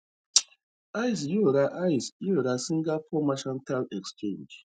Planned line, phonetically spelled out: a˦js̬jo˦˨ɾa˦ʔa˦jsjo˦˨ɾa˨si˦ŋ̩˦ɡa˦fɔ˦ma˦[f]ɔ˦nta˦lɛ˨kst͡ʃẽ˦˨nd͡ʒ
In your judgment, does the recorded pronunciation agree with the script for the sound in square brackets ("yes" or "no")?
no